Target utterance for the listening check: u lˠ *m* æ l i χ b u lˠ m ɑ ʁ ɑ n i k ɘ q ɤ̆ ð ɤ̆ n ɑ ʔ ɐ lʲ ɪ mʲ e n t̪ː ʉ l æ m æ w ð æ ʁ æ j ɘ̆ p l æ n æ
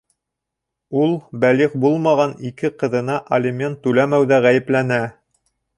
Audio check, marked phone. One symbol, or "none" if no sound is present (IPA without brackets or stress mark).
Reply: b